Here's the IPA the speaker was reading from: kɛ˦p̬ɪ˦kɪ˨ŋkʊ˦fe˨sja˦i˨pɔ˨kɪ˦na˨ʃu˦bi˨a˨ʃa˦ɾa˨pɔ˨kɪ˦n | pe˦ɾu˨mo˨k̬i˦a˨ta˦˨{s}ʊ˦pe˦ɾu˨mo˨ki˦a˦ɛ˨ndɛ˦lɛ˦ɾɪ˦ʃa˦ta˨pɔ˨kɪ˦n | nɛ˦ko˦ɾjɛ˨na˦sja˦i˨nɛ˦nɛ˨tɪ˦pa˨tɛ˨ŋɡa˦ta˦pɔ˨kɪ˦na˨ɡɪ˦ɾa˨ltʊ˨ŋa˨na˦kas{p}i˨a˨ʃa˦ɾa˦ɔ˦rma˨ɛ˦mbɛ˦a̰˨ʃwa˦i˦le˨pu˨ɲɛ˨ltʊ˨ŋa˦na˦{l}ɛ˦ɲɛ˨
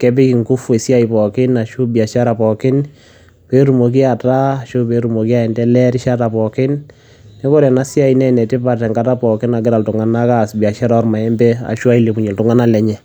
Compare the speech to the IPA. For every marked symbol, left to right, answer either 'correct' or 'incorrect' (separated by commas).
incorrect, incorrect, correct